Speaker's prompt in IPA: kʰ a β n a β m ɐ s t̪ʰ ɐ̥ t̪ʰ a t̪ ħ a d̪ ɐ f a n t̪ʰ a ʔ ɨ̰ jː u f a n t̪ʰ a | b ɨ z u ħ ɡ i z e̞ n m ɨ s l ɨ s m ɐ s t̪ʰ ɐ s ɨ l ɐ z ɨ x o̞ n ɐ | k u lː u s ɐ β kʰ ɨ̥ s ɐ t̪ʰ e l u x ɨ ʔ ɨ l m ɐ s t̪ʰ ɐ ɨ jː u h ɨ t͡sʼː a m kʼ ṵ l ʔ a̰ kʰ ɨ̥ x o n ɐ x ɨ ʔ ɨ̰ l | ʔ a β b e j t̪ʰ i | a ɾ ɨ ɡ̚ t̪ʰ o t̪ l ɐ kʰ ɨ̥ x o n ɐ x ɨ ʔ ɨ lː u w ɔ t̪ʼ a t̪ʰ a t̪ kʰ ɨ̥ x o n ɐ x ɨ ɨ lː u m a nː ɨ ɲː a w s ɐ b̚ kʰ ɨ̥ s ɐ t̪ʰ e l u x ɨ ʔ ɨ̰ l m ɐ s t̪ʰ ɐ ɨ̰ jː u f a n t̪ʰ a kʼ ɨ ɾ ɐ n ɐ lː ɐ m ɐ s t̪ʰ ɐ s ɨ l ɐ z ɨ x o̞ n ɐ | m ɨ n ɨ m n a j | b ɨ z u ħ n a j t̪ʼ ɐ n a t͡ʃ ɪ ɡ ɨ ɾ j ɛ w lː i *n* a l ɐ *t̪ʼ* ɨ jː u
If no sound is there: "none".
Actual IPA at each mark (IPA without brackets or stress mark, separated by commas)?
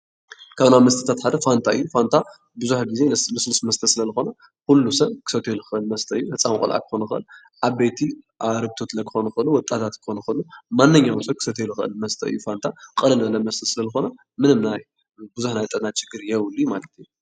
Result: m, t̪